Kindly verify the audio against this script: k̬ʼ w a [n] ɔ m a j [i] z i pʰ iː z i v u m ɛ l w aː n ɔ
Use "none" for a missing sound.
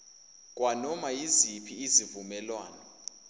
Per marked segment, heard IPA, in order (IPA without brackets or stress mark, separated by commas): n, i